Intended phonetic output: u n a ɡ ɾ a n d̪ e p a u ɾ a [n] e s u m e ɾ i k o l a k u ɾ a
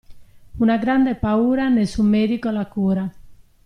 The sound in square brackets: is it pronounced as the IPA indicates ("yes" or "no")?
yes